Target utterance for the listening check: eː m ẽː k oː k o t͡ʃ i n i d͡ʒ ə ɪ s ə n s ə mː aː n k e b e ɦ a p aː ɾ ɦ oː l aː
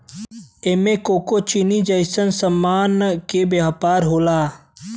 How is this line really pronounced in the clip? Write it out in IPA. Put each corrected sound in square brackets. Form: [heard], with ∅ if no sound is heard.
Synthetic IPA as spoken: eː m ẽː k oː k o t͡ʃ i n i d͡ʒ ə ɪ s ə n s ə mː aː n k e b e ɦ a p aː ɾ ɦ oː l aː